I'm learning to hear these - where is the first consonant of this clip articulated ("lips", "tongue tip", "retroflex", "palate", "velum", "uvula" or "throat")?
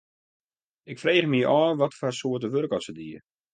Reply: velum